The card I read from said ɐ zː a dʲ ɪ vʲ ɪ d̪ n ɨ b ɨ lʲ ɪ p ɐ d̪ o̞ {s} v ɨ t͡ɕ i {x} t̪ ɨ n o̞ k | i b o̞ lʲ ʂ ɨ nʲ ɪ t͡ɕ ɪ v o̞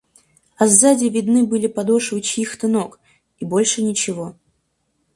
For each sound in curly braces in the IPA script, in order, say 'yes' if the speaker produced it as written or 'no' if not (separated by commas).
no, yes